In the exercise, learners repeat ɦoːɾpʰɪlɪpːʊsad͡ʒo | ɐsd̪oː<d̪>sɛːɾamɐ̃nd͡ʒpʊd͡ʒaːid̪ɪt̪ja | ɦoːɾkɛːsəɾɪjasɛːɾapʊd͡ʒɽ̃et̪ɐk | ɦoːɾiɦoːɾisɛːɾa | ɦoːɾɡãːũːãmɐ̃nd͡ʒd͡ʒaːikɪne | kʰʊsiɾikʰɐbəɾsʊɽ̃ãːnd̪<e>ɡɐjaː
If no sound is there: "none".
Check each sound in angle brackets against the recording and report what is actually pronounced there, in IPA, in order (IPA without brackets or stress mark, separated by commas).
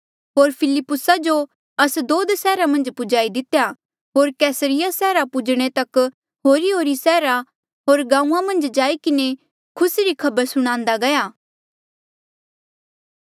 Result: d̪, a